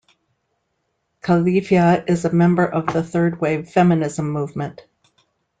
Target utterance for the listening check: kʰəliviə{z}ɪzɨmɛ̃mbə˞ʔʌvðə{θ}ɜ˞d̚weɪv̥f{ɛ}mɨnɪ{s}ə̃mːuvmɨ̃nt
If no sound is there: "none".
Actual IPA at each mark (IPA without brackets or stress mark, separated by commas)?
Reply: none, θ, ɛ, z